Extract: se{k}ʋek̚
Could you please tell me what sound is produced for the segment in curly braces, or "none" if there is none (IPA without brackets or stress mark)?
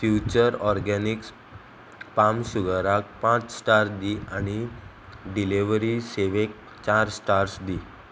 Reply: none